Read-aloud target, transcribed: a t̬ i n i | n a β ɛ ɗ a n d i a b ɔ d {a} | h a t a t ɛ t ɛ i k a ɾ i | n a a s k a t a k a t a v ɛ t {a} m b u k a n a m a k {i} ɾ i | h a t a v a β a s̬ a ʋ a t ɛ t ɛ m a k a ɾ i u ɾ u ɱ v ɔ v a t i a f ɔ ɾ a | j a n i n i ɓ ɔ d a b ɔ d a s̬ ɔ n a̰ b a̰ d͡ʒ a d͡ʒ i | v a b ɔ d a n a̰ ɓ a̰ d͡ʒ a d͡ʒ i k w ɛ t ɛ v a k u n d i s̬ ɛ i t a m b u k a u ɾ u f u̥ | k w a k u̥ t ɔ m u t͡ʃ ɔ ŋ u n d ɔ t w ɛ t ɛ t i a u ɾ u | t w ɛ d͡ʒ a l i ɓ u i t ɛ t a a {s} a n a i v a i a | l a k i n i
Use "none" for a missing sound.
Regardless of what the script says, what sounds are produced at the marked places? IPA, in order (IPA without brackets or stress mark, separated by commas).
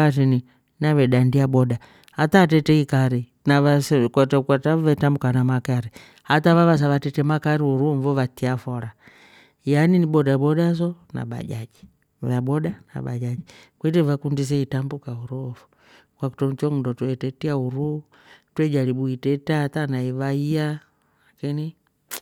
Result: a, a, a, t